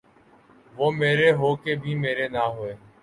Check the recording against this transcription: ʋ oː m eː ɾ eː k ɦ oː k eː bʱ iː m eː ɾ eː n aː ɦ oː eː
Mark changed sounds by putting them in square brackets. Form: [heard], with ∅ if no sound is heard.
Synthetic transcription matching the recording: ʋ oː m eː ɾ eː [∅] ɦ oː k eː bʱ iː m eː ɾ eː n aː ɦ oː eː